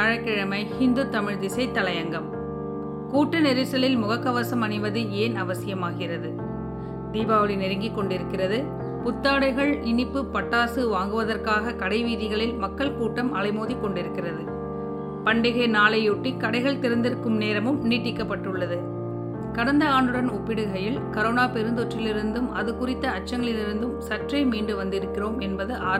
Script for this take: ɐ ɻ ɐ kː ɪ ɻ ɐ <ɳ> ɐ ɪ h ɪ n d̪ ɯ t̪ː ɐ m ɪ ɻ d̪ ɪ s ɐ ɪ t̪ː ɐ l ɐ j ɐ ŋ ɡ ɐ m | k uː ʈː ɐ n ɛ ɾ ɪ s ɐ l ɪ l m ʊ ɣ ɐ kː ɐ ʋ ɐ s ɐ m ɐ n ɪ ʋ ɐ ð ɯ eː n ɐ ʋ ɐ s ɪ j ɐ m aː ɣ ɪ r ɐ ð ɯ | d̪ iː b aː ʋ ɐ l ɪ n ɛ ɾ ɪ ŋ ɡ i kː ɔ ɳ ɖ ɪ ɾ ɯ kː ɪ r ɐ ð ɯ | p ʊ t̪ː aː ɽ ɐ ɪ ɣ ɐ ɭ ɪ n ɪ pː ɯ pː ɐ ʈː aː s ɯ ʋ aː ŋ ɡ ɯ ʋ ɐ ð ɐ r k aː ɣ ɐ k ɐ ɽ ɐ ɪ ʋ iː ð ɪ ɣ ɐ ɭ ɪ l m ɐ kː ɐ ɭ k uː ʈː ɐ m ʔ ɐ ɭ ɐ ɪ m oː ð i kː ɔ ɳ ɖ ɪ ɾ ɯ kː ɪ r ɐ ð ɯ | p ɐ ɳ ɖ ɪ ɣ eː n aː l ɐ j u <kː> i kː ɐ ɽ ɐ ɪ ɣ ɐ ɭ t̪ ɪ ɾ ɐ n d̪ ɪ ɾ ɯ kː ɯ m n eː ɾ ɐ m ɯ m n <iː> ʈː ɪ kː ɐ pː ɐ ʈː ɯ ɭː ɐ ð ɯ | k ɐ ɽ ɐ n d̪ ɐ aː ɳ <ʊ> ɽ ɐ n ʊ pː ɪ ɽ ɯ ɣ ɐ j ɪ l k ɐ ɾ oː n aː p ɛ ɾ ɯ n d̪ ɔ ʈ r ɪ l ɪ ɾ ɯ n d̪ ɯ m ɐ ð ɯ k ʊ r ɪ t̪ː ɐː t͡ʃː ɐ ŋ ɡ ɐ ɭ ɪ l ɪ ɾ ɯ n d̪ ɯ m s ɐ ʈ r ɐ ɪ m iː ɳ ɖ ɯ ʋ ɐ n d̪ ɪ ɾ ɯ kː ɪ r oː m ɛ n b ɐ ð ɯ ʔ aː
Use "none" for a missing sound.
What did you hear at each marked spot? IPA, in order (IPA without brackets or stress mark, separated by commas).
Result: m, ʈː, iː, ɯ